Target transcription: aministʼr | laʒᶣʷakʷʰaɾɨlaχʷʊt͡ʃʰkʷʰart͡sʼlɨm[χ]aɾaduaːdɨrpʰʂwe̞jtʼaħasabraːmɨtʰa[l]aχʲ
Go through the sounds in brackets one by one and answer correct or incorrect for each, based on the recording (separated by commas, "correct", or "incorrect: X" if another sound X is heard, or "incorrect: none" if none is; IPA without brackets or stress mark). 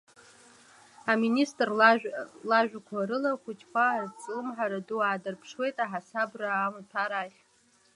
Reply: incorrect: ħ, incorrect: ɾ